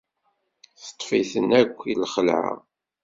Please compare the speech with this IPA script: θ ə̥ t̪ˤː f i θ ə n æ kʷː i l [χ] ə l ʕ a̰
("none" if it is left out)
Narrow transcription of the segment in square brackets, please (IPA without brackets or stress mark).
χ